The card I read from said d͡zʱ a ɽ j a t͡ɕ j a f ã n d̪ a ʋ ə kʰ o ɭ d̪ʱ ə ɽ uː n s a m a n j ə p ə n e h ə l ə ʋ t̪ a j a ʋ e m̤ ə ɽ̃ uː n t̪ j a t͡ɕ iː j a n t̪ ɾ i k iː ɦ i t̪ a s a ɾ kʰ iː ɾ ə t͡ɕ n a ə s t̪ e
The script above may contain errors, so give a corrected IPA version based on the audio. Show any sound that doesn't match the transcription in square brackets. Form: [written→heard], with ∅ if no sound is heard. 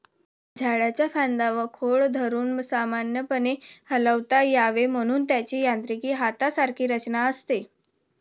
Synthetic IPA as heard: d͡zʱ a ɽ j a t͡ɕ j a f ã n d̪ a ʋ ə kʰ o ɭ d̪ʱ ə [ɽ→ɾ] uː n s a m a n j ə p ə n e h ə l ə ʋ t̪ a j a ʋ e m̤ ə ɽ̃ uː n t̪ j a t͡ɕ iː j a n t̪ ɾ i k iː ɦ [i→a] t̪ a s a ɾ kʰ iː ɾ ə t͡ɕ n a ə s t̪ e